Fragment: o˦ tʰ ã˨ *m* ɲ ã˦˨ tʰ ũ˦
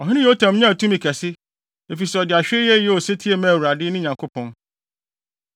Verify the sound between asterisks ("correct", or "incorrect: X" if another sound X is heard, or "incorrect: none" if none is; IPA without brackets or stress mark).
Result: correct